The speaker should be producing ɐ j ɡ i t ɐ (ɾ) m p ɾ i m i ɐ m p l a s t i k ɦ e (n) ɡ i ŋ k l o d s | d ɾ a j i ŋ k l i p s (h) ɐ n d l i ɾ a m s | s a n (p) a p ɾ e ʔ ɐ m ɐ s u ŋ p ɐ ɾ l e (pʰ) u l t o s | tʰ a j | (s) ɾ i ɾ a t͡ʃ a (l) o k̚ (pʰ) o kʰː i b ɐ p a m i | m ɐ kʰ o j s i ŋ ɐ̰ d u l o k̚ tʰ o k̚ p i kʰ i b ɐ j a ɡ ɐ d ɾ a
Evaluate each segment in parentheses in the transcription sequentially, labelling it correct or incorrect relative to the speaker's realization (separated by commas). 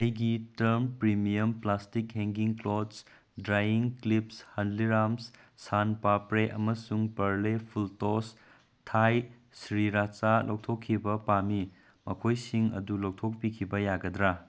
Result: correct, incorrect, correct, correct, correct, correct, correct, incorrect